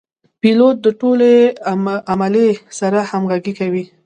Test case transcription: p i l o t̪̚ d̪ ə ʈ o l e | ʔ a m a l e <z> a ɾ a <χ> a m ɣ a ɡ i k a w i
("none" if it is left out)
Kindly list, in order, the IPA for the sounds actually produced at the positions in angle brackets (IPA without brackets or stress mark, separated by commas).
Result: s, h